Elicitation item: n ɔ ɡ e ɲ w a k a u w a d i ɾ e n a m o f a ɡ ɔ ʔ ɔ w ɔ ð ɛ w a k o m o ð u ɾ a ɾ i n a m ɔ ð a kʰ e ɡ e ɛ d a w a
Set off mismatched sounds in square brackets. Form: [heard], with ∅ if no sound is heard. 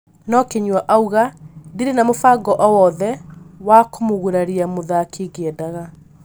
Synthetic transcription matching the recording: n ɔ [k] e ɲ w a [ʔ] a u [ɣ] a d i ɾ e n a m o f a ɡ ɔ ʔ ɔ w ɔ ð ɛ w a k o m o [ɣ] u ɾ a ɾ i [∅] a m [o] ð a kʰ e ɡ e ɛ d a [ɣ] a